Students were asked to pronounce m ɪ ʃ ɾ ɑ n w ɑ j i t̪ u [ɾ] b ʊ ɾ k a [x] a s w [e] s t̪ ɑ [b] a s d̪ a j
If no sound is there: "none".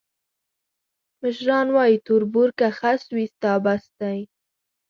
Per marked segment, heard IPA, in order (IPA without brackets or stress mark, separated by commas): ɾ, x, i, b